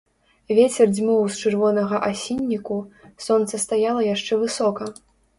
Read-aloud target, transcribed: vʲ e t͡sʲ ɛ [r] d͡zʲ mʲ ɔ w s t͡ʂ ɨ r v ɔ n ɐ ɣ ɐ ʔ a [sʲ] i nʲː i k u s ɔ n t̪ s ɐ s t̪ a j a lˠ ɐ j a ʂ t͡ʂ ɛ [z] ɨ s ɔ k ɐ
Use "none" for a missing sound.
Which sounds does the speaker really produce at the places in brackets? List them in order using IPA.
r, sʲ, v

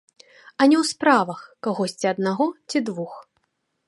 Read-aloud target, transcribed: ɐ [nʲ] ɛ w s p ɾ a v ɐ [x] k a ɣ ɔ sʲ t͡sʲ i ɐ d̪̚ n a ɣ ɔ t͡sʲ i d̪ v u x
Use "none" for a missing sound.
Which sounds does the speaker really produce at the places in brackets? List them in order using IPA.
nʲ, x

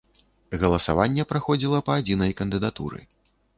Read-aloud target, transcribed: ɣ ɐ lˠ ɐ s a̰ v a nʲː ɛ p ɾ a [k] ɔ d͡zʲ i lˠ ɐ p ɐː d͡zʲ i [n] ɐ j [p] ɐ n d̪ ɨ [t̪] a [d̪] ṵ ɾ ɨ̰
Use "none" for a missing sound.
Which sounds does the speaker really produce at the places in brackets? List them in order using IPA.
x, n, k, d̪, t̪

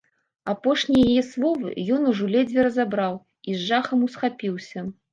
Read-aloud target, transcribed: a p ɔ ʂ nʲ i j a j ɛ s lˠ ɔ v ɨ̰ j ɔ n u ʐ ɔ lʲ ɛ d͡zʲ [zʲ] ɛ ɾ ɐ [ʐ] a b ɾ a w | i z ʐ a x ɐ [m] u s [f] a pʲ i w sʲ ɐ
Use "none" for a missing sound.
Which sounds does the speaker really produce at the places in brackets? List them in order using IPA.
vʲ, z, m, x

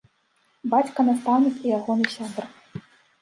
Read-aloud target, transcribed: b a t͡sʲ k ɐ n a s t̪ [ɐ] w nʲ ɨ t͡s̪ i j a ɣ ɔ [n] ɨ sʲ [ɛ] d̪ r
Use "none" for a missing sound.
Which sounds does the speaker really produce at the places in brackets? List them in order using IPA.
a, n, a

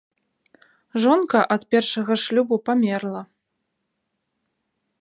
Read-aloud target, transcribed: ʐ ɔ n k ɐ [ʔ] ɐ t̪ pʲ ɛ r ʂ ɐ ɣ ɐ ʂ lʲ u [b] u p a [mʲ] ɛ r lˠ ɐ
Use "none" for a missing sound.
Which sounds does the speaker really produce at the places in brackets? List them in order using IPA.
ʔ, b, mʲ

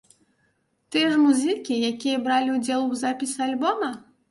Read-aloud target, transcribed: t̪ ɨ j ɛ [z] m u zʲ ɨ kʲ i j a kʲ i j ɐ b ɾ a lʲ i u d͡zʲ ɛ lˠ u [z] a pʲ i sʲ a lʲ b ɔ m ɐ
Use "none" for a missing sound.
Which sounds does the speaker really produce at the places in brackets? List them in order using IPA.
ʐ, z

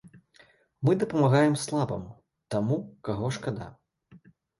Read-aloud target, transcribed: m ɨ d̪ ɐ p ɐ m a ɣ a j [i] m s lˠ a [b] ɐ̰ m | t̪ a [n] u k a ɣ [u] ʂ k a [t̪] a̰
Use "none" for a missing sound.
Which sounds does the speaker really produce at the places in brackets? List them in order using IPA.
ɛ, b, m, ɔ, d̪

